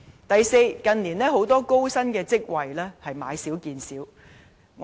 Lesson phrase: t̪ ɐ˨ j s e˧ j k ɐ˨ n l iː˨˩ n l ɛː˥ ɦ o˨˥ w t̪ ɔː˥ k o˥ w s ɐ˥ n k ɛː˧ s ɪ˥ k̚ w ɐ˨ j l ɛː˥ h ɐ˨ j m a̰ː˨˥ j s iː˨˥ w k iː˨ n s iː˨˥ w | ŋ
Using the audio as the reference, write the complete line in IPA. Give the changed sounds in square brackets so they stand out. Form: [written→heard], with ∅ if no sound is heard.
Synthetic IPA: t̪ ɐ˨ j s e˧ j k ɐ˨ n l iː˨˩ n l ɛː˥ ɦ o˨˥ w t̪ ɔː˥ k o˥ w s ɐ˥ n k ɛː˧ [s→t͡s] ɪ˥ k̚ w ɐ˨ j l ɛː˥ h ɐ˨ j m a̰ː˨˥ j s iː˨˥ w k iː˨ n s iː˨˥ w | ŋ

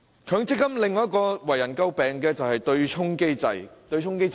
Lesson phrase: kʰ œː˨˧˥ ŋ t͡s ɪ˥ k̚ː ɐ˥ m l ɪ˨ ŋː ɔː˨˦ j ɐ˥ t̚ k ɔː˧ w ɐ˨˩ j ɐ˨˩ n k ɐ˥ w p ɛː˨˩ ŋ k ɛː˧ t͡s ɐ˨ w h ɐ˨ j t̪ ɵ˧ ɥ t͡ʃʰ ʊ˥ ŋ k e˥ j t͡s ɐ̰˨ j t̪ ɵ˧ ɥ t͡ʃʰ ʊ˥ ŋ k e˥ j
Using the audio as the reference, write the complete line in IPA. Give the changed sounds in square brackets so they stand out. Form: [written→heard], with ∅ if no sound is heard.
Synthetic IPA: kʰ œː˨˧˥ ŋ t͡s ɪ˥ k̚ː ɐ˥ m l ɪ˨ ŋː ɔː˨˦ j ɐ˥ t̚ k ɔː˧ w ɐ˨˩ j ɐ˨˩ n k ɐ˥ w p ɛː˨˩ ŋ k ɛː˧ t͡s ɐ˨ w h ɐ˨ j t̪ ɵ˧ ɥ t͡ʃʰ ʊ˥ ŋ k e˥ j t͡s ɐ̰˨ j t̪ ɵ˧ ɥ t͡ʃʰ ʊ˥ ŋ k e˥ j

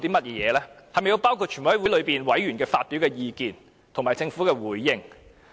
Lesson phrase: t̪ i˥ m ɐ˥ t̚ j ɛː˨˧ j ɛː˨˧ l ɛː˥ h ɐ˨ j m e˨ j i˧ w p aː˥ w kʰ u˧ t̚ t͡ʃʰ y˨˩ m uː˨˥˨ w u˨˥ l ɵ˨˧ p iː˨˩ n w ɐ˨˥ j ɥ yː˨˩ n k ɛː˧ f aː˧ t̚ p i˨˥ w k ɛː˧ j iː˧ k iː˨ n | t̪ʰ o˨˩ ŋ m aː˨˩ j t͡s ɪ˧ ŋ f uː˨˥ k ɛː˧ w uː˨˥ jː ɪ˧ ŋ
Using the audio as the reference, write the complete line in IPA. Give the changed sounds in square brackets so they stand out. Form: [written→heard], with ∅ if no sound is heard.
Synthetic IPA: t̪ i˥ m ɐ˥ t̚ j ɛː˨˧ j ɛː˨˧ l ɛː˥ h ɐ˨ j m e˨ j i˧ w p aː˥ w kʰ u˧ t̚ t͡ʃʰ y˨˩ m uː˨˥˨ w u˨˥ l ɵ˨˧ p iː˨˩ n w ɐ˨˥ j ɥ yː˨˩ n k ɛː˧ f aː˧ t̚ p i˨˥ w k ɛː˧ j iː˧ k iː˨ n | t̪ʰ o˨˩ ŋ m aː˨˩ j t͡s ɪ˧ ŋ f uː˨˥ k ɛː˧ w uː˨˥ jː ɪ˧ ŋ

